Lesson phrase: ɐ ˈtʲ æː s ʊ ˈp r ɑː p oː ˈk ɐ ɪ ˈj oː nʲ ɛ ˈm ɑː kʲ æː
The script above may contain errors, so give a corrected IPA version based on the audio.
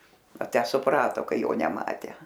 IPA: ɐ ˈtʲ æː s ʊ ˈp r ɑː t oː ˈk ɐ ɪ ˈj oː nʲ ɛ ˈm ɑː tʲ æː